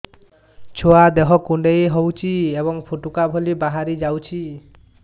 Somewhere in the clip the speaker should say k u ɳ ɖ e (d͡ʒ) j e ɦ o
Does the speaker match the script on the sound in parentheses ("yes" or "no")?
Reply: no